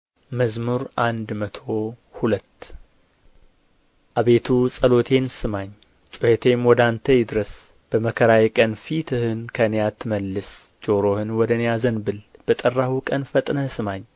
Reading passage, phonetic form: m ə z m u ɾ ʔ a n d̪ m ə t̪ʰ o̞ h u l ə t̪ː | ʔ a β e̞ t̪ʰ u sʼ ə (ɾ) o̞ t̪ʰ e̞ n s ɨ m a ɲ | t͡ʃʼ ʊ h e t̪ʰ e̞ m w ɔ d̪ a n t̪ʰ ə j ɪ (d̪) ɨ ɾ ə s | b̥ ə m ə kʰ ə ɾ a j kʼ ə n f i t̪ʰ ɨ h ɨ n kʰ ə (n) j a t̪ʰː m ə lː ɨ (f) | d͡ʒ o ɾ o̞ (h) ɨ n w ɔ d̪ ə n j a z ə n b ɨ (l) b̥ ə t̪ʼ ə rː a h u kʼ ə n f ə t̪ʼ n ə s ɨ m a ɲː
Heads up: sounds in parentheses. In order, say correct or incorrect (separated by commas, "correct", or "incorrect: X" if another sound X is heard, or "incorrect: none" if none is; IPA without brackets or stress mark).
incorrect: l, correct, correct, incorrect: s, correct, correct